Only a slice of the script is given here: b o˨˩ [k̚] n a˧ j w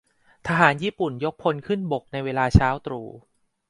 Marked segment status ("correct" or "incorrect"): correct